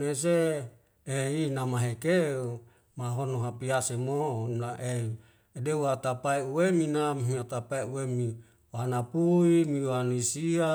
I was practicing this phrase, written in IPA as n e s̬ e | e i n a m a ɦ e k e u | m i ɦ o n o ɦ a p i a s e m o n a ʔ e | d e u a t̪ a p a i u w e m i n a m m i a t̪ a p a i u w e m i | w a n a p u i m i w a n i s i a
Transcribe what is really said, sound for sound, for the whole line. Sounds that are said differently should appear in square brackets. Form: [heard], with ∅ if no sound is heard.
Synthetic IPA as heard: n e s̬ e | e i n a m a ɦ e k e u | m [a] ɦ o n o ɦ a p i a s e m o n a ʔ e | d e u a t̪ a p a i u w e m i n a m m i a t̪ a p a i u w e m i | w a n a p u i m i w a n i s i a